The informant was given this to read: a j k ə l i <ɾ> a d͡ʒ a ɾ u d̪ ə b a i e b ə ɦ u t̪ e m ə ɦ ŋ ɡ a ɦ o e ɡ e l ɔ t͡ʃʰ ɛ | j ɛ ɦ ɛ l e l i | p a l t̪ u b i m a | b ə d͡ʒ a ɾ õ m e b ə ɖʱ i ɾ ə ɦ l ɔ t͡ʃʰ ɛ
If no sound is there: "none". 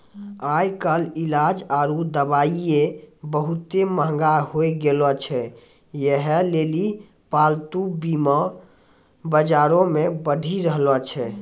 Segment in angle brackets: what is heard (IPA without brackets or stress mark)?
l